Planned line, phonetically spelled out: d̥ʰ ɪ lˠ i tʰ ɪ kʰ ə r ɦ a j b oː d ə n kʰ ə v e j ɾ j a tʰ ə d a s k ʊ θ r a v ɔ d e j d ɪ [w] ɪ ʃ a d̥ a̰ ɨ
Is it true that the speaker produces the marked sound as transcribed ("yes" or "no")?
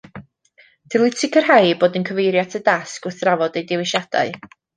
yes